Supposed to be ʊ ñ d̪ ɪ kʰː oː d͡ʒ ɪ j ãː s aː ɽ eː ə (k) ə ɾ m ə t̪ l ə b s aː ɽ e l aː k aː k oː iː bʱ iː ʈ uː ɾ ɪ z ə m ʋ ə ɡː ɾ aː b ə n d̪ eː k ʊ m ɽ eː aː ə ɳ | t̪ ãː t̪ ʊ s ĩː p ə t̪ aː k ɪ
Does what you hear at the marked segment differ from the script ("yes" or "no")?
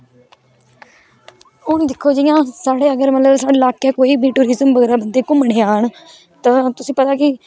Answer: yes